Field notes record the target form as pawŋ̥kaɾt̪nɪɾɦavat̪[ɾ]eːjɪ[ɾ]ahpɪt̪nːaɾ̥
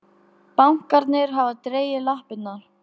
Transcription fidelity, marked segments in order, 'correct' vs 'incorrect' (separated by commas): correct, incorrect